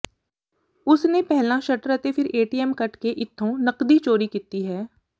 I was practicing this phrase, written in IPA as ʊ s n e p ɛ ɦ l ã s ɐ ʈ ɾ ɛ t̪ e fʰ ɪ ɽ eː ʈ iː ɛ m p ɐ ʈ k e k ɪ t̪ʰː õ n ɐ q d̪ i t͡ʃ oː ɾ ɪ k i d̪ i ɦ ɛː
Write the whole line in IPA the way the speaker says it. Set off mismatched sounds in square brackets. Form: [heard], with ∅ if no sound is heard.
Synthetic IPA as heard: ʊ s n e p ɛ ɦ l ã [ʃ] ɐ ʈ ɾ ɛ t̪ e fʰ ɪ [ɾ] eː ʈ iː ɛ m [k] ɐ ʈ k e [ʔ] ɪ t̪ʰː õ n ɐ q d̪ i t͡ʃ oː ɾ [i] k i [t̪] i ɦ ɛː